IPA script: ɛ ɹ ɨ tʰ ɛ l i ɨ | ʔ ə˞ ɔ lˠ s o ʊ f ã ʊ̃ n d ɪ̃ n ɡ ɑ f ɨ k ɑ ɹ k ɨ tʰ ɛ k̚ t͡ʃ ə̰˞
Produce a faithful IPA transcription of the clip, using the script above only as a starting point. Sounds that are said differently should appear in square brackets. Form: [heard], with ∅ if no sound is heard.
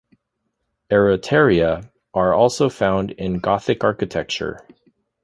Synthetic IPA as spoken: ɛ ɹ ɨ tʰ ɛ [ɹ] i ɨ | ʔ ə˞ ɔ lˠ s o ʊ f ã ʊ̃ n d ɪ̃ n ɡ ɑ [θ] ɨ k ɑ ɹ k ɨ tʰ ɛ k̚ t͡ʃ ə̰˞